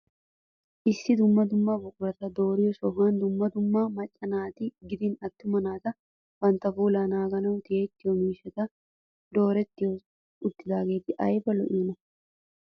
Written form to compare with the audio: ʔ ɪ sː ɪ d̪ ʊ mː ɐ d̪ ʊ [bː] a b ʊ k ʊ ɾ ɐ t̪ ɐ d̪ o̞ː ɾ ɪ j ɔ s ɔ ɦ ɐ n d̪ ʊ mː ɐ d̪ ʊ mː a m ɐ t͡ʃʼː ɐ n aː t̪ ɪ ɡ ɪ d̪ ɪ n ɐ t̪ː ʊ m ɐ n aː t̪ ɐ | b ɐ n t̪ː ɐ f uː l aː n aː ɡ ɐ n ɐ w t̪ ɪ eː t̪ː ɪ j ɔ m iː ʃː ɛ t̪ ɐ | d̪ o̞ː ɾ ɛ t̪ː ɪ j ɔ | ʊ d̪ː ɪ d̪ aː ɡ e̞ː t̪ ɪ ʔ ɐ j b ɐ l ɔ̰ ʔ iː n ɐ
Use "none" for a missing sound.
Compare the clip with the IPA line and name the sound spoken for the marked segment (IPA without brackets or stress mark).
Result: mː